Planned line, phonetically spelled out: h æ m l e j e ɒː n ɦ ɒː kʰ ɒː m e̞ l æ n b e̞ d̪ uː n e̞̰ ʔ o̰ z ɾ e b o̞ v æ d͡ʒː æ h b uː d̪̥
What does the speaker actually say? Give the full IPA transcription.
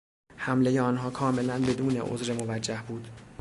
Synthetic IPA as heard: h æ m l e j e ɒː n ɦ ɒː kʰ ɒː m e̞ l æ n b e̞ d̪ uː n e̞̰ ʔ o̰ z ɾ e m o̞ v æ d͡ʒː æ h b uː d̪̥